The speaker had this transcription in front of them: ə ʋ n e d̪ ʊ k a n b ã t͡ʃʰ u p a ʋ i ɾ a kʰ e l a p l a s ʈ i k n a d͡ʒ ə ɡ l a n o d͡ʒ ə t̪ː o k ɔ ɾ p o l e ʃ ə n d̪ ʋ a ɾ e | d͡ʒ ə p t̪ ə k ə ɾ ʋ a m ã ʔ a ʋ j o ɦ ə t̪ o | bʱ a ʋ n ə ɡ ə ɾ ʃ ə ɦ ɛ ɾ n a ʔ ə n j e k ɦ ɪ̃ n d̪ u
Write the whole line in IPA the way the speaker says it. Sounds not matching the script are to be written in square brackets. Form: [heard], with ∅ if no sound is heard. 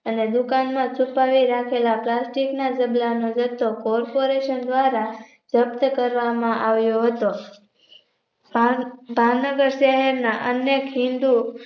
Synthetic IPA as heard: ə [∅] n e d̪ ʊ k a n [m] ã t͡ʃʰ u p a ʋ i ɾ a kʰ e l a p l a s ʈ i k n a d͡ʒ ə [b] l a n o d͡ʒ ə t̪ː o k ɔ ɾ p o [ɾ] e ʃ ə n d̪ ʋ a ɾ [a] | d͡ʒ ə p t̪ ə k ə ɾ ʋ a m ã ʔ a ʋ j o ɦ ə t̪ o | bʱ a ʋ n ə ɡ ə ɾ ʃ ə ɦ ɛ ɾ n a ʔ ə n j e k ɦ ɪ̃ n d̪ u